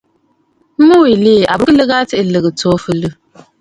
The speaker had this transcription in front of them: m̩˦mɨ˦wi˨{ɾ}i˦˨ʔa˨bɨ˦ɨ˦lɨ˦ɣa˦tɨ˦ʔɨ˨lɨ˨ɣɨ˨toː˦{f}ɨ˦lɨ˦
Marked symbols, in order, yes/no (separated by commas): no, yes